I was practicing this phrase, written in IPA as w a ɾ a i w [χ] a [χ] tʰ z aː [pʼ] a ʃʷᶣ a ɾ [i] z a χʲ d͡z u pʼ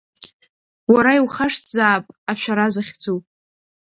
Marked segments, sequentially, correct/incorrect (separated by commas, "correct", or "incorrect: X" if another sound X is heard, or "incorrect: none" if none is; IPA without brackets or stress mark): correct, incorrect: ʂ, correct, incorrect: a